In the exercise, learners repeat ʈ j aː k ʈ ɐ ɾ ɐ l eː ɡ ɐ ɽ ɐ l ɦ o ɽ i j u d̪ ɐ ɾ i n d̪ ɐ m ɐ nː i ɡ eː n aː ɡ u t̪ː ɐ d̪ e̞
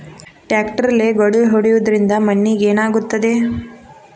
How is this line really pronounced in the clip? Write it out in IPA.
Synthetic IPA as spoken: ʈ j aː k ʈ ɐ ɾ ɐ l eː ɡ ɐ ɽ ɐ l ɦ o ɽ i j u d̪ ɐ ɾ i n d̪ ɐ m ɐ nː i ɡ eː n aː ɡ u t̪ː ɐ d̪ e̞